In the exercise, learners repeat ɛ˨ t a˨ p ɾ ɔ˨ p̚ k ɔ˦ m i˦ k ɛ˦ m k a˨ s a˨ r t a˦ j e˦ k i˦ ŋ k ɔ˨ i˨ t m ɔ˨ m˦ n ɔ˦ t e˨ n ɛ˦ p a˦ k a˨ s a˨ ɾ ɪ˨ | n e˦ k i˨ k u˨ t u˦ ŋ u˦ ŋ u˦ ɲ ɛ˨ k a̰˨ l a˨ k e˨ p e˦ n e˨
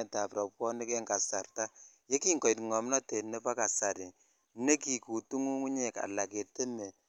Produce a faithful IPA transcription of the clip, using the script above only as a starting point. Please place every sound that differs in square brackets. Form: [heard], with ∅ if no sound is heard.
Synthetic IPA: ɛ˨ t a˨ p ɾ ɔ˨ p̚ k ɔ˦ [n] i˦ k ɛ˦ [ŋ] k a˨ s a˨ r t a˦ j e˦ k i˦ ŋ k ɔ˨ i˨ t [ŋ] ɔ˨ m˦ n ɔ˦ t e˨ n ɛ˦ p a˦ k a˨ s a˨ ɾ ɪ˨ | n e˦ k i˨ k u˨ t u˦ ŋ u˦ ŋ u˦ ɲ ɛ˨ k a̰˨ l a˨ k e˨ [t] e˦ n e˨